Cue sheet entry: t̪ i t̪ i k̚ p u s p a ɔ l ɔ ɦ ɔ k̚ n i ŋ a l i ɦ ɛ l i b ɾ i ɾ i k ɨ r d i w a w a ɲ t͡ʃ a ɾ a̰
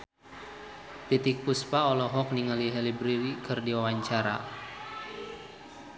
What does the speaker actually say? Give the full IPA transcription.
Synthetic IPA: t̪ i t̪ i k̚ p u s p a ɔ l ɔ ɦ ɔ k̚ n i ŋ a l i ɦ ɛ l i b ɾ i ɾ i k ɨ r d i w a w a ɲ t͡ʃ a ɾ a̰